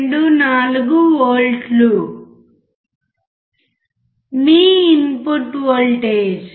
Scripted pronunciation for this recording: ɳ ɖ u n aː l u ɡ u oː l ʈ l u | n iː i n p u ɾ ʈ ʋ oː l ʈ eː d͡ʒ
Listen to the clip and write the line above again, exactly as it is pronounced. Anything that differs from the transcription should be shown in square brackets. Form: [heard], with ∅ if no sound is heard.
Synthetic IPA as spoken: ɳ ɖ u n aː l u ɡ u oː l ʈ l u | [m] iː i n p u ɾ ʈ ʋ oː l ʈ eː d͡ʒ

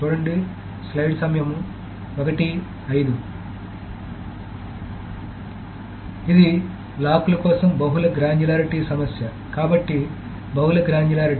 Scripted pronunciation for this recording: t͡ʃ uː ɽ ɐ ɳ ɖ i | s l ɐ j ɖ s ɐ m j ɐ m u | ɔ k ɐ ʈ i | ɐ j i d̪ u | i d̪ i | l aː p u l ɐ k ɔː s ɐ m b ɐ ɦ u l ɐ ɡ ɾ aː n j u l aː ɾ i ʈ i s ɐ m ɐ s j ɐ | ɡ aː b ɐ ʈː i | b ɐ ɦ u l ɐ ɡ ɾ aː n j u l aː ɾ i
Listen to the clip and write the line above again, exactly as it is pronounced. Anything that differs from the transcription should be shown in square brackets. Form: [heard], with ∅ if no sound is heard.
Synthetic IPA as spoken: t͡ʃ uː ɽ ɐ ɳ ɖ i | s l ɐ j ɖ s ɐ m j ɐ m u | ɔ k ɐ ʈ i | ɐ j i d̪ u | i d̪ i | l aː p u l ɐ k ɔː s ɐ m b ɐ ɦ u l ɐ ɡ ɾ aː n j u l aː ɾ i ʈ i s ɐ m ɐ s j ɐ | [k] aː b ɐ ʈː i | b ɐ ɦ u l ɐ ɡ ɾ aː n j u l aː ɾ i

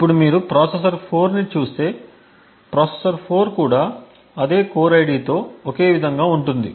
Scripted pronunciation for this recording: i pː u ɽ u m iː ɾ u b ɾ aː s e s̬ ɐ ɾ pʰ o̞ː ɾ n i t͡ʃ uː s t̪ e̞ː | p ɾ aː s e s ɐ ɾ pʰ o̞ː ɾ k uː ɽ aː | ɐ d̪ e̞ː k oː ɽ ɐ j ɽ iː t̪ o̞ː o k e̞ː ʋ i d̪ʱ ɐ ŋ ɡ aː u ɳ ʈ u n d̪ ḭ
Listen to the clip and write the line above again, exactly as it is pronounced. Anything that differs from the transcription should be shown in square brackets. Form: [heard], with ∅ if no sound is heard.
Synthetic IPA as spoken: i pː u ɽ u m iː ɾ u [p] ɾ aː s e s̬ ɐ ɾ pʰ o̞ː ɾ n i t͡ʃ uː s t̪ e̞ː | p ɾ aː s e s ɐ ɾ pʰ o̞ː ɾ k uː ɽ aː | ɐ d̪ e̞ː k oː [ɾ] ɐ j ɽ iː t̪ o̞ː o k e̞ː ʋ i d̪ʱ ɐ ŋ ɡ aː u ɳ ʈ u n d̪ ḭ

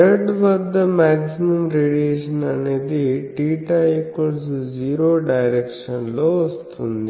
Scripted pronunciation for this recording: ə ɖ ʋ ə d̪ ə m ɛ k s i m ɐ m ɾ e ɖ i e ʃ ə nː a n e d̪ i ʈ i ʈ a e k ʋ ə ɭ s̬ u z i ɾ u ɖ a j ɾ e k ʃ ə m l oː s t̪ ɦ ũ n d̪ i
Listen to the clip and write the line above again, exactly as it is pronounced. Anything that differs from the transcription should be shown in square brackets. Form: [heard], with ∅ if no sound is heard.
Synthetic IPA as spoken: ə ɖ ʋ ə d̪ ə m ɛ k s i m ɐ m ɾ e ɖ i e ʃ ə [n] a n e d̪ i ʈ i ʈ a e k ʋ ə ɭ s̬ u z i ɾ [o] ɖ a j ɾ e k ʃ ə [n] l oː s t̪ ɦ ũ n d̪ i

